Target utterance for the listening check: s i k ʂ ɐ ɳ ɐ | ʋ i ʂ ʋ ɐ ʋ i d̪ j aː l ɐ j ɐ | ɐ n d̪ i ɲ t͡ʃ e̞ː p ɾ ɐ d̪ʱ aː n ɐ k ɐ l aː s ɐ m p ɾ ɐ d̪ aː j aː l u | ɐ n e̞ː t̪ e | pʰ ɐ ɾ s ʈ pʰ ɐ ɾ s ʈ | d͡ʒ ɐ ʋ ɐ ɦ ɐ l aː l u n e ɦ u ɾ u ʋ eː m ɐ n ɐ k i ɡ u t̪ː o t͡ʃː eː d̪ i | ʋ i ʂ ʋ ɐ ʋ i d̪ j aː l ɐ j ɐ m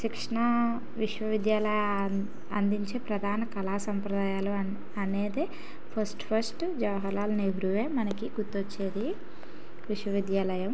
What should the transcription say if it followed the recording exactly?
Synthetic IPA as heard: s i k ʂ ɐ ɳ ɐ | ʋ i ʂ ʋ ɐ ʋ i d̪ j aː l ɐ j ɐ | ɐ n d̪ i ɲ t͡ʃ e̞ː p ɾ ɐ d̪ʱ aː n ɐ k ɐ l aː s ɐ m p ɾ ɐ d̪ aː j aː l u | ɐ n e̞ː d̪ e | pʰ ɐ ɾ s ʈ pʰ ɐ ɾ s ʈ | d͡ʒ ɐ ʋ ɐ ɦ ɐ l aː l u n e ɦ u ɾ u ʋ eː m ɐ n ɐ k i ɡ u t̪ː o t͡ʃː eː d̪ i | ʋ i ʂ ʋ ɐ ʋ i d̪ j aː l ɐ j ɐ m